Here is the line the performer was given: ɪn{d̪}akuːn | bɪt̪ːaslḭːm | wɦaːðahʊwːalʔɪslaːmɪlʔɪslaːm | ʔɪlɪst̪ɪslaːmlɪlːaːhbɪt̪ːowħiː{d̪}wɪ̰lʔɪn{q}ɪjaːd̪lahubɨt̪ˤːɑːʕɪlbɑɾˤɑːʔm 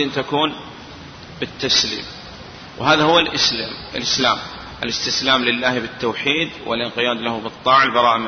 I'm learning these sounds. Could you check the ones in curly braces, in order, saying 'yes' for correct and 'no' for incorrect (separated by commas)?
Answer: no, yes, yes